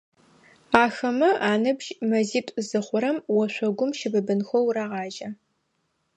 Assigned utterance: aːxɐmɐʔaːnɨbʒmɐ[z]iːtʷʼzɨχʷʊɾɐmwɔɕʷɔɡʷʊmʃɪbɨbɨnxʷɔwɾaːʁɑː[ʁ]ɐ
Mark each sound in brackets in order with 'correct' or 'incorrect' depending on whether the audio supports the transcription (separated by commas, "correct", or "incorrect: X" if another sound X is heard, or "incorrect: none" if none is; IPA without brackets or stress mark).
correct, incorrect: ʒ